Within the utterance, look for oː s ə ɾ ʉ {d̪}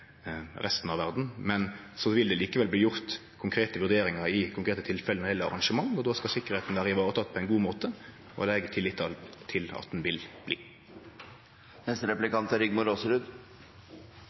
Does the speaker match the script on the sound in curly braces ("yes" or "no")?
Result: yes